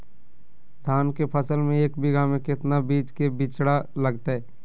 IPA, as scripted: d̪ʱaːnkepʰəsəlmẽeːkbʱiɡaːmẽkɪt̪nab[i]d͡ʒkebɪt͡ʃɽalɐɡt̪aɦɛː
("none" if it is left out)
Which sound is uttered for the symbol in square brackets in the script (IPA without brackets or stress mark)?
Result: iː